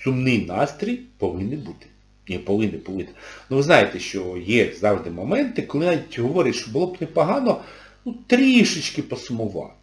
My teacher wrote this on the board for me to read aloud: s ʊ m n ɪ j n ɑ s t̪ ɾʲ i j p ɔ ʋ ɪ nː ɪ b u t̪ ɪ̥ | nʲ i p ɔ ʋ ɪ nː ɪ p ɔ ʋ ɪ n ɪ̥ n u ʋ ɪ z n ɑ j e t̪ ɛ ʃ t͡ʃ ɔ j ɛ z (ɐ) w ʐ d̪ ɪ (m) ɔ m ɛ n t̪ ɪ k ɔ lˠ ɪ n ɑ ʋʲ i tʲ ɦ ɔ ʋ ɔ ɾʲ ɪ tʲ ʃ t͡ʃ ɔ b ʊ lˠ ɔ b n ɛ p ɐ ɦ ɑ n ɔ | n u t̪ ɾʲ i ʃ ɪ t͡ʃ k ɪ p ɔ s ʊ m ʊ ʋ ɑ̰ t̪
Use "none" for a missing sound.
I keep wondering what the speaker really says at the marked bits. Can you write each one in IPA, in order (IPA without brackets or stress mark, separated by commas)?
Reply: ɑ, m